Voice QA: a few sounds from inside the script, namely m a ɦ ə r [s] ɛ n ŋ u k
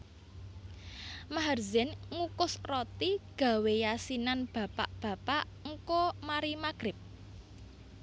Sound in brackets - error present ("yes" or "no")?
yes